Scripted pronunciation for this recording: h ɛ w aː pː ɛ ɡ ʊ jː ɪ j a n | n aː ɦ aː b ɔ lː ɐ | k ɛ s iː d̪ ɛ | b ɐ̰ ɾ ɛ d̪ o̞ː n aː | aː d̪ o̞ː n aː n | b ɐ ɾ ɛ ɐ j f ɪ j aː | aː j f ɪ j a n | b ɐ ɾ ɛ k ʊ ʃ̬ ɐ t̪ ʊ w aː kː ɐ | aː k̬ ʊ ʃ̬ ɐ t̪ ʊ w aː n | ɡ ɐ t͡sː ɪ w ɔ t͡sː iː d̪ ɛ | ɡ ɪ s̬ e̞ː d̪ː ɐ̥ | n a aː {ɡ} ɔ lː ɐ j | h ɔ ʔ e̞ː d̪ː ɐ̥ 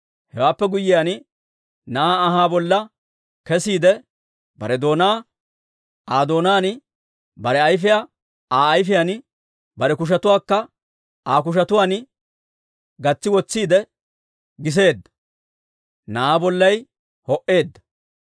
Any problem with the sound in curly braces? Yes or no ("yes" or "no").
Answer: yes